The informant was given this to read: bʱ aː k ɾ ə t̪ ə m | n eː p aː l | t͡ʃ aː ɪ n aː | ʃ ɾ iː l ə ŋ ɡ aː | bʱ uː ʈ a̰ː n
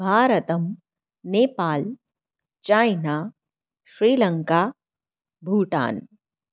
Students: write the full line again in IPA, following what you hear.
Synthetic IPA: bʱ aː ɾ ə t̪ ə m | n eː p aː l | t͡ʃ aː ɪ n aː | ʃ ɾ iː l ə ŋ k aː | bʱ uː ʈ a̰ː n